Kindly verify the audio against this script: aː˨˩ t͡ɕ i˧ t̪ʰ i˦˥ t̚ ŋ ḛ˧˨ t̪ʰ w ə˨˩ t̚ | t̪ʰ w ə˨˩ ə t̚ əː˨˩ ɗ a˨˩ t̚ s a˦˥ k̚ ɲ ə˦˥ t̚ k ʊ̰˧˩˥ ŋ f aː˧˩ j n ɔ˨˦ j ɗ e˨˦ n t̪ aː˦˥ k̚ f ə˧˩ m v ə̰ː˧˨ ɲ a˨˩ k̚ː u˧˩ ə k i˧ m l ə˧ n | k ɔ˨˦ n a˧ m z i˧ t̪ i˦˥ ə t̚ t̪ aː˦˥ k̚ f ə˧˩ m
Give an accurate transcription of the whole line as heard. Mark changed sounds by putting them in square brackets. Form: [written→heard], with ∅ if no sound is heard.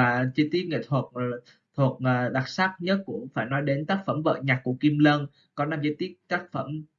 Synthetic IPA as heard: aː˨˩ t͡ɕ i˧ [t̪ʰ→t̪] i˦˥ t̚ ŋ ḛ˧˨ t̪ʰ w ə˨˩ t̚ | t̪ʰ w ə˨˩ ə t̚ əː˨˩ ɗ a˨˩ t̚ s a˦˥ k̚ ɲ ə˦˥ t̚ k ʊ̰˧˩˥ [ŋ→ŋ͡m] f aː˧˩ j n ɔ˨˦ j ɗ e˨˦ n t̪ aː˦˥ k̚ f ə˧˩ m v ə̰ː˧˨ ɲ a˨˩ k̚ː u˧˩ ə k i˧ m l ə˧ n | k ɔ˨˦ n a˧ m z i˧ t̪ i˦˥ ə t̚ t̪ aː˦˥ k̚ f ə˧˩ m